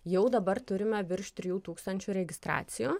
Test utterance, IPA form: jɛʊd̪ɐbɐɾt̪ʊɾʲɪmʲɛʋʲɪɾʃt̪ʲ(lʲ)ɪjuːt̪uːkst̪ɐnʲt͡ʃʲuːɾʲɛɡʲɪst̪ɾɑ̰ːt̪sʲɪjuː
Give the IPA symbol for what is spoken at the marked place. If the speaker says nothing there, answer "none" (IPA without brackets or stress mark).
ɾʲ